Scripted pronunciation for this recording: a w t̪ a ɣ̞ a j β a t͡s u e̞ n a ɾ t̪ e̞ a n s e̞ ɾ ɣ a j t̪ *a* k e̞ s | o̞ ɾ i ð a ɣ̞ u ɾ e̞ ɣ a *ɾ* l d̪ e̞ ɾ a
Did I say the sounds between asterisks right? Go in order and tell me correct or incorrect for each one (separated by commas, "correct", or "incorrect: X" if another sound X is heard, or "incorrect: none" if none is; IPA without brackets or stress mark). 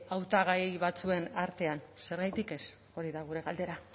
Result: incorrect: i, incorrect: none